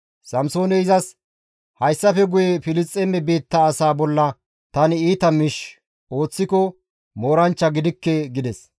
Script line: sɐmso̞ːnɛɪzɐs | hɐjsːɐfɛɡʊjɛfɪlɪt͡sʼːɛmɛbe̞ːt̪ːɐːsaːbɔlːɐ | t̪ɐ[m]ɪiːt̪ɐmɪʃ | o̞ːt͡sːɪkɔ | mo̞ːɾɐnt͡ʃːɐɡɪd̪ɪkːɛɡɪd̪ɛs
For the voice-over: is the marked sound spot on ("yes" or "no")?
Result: no